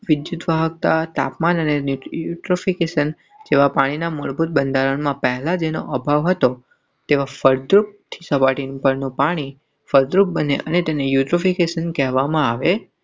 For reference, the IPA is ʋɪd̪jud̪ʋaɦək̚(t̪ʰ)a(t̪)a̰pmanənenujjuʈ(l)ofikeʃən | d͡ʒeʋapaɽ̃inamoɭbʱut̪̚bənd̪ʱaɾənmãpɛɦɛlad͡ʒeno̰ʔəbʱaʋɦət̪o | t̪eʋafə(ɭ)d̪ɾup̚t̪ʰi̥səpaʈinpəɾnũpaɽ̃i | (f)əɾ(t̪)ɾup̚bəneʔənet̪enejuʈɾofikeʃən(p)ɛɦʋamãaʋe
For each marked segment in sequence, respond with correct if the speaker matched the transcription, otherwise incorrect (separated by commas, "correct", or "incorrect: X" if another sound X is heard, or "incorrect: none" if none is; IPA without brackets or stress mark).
incorrect: t̪, correct, incorrect: ɾ, incorrect: ɾ, correct, incorrect: d̪, incorrect: k